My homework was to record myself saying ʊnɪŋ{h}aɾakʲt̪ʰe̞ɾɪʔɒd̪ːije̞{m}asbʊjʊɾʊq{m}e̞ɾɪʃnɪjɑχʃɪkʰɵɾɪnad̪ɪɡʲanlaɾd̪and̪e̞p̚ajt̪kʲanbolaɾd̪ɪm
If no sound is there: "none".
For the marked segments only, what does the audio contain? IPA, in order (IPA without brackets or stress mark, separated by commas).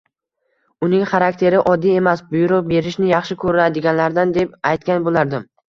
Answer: χ, m, b